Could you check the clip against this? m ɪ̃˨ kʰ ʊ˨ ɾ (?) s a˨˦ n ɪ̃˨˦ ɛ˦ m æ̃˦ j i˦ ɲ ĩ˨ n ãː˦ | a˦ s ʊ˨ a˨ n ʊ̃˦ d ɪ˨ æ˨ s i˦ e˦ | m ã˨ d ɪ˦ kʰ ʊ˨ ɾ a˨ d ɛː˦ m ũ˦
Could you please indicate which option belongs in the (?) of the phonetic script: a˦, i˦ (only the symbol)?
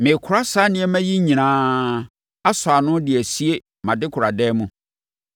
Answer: a˦